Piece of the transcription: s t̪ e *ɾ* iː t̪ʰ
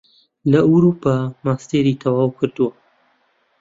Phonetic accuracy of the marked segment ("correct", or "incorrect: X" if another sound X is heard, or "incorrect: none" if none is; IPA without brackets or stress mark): correct